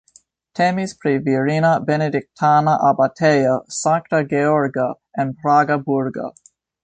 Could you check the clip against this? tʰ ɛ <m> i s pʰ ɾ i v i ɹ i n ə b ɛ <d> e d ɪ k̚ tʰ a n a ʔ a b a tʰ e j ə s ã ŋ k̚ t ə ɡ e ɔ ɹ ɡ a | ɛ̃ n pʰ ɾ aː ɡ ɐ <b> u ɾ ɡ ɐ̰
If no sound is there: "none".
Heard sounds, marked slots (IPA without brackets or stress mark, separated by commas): m, n, b